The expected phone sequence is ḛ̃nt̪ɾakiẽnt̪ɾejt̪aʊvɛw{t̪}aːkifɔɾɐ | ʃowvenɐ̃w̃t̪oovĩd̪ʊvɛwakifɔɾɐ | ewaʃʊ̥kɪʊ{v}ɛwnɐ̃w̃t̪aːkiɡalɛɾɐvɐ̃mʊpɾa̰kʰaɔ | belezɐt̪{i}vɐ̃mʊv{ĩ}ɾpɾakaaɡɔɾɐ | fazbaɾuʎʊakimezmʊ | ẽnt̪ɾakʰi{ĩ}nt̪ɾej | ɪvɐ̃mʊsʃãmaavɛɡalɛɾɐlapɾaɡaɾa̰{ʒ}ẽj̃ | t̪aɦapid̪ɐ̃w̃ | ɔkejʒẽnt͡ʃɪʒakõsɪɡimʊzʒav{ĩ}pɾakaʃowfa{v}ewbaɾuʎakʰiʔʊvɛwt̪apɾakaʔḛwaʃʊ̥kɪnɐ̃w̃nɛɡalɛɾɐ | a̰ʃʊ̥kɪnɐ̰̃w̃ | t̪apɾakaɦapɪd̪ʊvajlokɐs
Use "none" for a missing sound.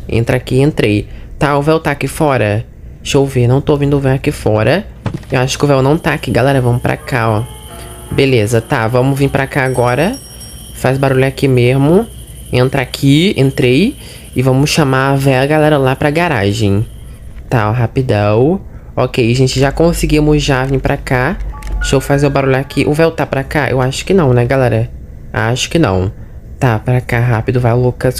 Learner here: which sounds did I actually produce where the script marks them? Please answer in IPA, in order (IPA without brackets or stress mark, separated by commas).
t̪, v, a, ĩ, ẽ, ʒ, ĩ, z